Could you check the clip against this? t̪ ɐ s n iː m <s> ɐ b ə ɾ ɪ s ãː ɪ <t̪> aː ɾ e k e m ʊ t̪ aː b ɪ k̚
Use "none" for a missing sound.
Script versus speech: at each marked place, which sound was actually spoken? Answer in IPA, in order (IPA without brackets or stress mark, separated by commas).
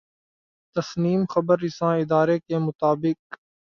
x, d̪